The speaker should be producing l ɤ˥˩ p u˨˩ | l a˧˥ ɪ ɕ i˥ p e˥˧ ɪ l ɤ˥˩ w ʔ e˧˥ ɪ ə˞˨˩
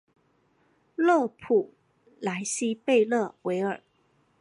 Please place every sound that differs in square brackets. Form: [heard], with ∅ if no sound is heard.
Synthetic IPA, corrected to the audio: l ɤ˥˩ [pʰ] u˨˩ | l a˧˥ ɪ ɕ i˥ p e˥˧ ɪ l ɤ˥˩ w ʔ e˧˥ ɪ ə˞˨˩